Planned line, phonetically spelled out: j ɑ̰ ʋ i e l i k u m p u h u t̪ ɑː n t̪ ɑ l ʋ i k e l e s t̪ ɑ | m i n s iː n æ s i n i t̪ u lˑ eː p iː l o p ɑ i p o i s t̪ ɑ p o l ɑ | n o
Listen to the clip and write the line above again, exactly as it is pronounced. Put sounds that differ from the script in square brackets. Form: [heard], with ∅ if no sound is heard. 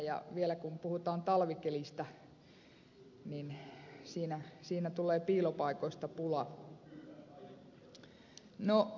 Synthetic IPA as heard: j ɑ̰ ʋ i e l [æ] k u m p u h u t̪ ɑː n t̪ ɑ l ʋ i k e l [i] s t̪ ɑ | [n] i n s iː n æ s [iː] n [æ] t̪ u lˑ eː p iː l o p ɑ i [k] o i s t̪ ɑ p [u] l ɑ | n o